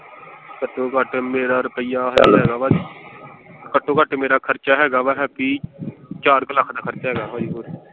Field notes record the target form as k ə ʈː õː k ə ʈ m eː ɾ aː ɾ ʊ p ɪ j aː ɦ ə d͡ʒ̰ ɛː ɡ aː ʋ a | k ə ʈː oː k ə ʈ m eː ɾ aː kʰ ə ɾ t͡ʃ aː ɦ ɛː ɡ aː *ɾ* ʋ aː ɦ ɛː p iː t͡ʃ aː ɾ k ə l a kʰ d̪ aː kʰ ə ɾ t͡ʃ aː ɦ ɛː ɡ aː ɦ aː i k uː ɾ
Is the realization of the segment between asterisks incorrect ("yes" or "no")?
yes